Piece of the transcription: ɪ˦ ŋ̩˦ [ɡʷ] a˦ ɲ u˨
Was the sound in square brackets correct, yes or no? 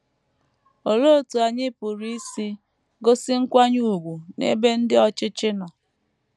no